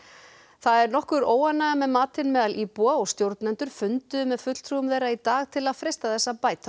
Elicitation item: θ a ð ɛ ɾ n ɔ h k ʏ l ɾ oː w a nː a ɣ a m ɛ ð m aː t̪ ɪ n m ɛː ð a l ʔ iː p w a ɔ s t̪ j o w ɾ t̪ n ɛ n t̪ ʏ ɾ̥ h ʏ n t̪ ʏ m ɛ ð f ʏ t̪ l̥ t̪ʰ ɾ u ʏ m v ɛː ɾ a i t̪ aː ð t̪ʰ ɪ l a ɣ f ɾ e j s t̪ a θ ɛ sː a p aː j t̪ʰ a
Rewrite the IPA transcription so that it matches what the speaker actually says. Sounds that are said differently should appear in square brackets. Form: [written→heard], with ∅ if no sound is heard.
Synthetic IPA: θ a ð ɛ ɾ n ɔ h k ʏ [l→∅] ɾ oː w a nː a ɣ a m ɛ ð m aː t̪ ɪ n m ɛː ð a l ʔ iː p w a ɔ s t̪ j o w ɾ t̪ n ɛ n t̪ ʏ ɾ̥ [h→f] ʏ n t̪ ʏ m ɛ ð f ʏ t̪ l̥ t̪ʰ ɾ u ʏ m v ɛː ɾ a i t̪ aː [ð→ɣ] t̪ʰ ɪ l a [ɣ→ð] f ɾ e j s t̪ a θ ɛ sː a p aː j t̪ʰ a